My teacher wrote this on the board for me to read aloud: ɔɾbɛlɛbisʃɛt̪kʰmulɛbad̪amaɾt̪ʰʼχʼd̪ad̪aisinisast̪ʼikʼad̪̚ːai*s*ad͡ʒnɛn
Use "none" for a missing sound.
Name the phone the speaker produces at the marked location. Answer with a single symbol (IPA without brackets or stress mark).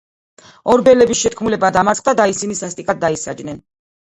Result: s